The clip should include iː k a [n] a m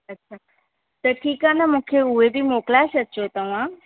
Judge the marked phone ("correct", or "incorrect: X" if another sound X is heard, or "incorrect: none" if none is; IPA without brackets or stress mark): correct